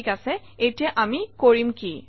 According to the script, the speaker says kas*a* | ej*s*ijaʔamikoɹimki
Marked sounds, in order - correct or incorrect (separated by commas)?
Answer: incorrect, incorrect